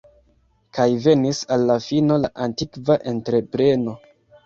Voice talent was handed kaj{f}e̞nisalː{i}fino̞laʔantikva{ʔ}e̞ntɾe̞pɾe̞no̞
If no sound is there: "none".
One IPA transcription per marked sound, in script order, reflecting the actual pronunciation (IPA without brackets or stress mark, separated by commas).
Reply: v, a, ʔ